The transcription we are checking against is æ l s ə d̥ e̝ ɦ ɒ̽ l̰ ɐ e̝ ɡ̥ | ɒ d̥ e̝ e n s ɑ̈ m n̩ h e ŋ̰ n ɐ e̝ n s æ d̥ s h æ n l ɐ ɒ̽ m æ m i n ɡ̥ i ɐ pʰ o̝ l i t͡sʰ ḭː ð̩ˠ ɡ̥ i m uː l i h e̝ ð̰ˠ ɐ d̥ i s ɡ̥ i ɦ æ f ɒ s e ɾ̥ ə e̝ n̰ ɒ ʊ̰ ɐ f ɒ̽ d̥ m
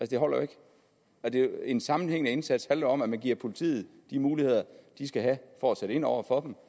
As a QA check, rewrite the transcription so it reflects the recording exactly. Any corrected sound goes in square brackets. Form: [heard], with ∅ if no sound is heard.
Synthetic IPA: æ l s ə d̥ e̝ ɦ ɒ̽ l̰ ɐ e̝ ɡ̥ | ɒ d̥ e̝ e n s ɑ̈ m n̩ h e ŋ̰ n [ə] e̝ n s æ d̥ s h æ n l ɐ ɒ̽ m æ m [æ] n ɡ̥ i ɐ pʰ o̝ l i t͡sʰ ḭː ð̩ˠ [d̥] i m uː l i h e̝ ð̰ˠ ɐ d̥ i s ɡ̥ [æ] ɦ æ f ɒ s e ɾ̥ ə e̝ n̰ ɒ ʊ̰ ɐ f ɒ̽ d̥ m